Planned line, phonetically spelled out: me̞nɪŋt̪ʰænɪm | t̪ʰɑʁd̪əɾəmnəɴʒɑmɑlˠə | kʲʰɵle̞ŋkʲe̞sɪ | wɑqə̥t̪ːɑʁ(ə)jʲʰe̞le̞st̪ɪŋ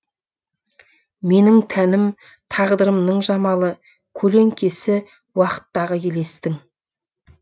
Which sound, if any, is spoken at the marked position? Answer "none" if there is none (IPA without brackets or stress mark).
ə